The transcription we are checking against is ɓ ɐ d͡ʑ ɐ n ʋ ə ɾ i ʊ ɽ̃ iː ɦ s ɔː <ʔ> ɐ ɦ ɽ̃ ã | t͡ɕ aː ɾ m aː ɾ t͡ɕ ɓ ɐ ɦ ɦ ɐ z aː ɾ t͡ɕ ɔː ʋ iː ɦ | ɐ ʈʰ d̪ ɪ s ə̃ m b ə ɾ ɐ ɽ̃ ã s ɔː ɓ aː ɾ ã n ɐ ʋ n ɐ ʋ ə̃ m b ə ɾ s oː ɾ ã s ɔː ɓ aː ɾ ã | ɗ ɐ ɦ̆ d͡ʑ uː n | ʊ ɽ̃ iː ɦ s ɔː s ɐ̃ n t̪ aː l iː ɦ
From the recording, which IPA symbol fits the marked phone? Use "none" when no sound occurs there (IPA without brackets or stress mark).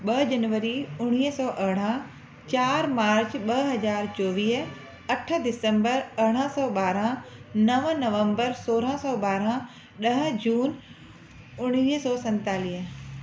ʔ